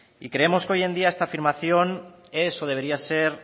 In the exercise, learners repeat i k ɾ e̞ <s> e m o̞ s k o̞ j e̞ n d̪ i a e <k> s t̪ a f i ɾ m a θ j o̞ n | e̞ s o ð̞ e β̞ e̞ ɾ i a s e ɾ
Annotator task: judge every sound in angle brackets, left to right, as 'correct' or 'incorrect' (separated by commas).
incorrect, incorrect